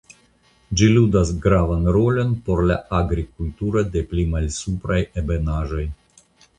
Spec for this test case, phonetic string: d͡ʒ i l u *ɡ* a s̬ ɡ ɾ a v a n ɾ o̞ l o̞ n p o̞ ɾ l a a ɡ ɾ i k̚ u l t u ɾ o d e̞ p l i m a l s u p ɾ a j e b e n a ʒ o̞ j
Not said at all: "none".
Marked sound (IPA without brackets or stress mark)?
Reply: d